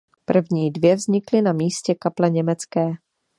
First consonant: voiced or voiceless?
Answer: voiceless